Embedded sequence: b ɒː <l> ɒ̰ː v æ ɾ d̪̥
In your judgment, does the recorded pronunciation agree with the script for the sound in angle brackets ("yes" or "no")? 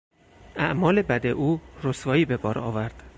no